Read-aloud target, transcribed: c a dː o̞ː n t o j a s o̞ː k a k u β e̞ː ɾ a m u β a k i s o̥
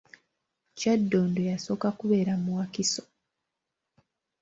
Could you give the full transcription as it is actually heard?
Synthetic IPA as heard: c a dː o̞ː n d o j a s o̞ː k a k u β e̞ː ɾ a m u w a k i s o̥